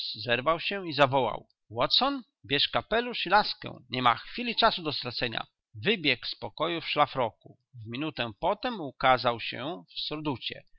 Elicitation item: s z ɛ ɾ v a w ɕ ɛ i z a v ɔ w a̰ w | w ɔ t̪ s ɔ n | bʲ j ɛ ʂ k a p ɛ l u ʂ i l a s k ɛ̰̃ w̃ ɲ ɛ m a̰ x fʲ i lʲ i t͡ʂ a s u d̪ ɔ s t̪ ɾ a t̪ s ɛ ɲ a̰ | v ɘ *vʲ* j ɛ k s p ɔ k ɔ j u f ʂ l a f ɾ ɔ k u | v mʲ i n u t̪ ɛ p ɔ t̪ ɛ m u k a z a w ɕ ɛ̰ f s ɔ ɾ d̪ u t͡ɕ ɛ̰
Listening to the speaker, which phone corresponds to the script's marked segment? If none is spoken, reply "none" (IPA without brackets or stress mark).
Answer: bʲ